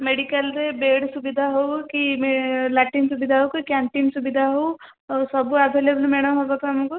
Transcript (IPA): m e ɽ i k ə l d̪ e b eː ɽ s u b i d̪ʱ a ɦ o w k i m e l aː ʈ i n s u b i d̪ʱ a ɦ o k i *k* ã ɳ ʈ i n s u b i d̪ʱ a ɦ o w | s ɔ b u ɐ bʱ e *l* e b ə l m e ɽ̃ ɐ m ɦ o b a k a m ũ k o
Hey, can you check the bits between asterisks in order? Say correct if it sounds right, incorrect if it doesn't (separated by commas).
correct, correct